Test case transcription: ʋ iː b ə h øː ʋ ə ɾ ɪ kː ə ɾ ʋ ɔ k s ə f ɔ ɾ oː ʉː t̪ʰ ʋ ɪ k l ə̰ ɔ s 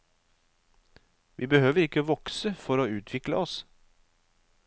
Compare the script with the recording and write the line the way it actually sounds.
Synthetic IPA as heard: ʋ iː b ə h øː ʋ ə ɾ ɪ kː ə ʋ ɔ k s ə f ɔ ɾ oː ʉː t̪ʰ ʋ ɪ k l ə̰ ɔ s